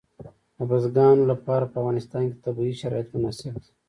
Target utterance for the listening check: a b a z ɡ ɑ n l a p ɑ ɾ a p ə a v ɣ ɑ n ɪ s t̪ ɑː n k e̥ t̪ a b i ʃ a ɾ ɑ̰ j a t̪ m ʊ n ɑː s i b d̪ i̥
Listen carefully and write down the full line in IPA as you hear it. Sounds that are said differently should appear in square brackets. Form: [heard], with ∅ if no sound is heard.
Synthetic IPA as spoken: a b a z ɡ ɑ n l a p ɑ ɾ a p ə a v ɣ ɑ n ɪ s t̪ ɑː n k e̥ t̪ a b i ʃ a ɾ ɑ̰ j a t̪ m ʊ n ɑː s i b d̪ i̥